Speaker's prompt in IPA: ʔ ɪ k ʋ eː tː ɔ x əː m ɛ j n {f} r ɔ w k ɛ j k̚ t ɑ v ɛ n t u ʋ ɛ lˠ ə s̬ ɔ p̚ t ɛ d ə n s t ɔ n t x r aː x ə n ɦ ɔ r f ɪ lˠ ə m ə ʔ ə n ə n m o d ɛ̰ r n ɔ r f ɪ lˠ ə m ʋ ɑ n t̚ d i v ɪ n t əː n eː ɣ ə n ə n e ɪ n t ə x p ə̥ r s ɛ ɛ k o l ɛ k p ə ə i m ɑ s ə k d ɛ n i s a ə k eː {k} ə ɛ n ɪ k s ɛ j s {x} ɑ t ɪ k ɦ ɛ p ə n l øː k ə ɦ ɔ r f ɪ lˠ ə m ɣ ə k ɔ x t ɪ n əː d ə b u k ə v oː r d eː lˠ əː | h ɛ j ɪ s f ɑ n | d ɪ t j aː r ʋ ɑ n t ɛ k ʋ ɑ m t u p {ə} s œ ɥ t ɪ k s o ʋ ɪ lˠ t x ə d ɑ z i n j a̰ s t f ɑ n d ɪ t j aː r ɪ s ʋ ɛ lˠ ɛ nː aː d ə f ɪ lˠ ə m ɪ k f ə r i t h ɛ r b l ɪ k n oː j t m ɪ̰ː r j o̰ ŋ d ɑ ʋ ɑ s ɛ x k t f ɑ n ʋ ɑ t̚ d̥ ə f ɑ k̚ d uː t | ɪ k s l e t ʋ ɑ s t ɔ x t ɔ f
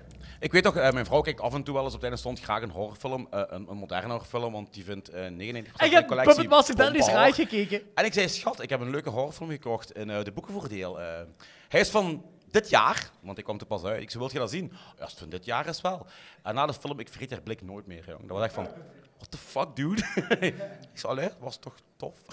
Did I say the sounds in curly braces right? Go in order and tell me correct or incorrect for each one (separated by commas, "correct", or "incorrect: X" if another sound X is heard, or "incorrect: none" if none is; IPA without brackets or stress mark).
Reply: incorrect: v, correct, correct, incorrect: ɑ